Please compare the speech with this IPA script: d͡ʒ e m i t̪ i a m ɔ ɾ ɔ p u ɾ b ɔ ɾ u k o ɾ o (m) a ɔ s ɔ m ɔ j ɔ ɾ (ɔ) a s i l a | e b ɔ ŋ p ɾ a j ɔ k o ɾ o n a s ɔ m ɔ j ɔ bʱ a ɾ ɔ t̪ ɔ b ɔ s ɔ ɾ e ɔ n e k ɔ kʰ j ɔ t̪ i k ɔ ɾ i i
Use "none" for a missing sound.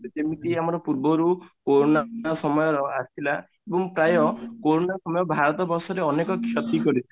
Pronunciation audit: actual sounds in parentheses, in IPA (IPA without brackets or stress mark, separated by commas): n, ɔ